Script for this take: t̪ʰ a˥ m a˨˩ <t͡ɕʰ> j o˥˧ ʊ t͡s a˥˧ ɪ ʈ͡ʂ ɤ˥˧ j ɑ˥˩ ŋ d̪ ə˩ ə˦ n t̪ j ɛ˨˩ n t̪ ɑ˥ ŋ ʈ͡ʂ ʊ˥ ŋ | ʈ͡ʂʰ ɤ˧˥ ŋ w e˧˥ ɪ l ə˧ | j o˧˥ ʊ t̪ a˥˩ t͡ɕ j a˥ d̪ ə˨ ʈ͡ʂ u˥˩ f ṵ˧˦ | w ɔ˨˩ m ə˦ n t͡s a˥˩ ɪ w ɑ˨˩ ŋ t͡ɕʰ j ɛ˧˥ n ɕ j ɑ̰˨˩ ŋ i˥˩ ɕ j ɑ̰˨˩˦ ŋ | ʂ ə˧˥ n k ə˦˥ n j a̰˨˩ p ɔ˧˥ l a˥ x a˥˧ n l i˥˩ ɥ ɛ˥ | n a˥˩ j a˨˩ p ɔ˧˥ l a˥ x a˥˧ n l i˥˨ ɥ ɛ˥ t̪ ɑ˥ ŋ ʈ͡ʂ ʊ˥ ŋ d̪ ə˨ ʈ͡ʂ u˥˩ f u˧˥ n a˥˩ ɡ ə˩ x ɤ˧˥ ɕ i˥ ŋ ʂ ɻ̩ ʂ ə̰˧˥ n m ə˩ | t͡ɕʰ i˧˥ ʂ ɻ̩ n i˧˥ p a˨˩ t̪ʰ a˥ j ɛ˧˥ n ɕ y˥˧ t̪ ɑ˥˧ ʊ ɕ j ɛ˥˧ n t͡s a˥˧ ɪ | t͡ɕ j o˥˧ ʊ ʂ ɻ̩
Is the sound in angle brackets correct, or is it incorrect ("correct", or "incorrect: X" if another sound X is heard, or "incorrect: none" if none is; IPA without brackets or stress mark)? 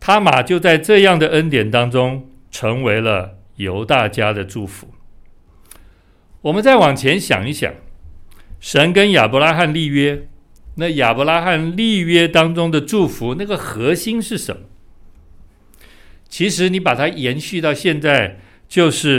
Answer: incorrect: t͡ɕ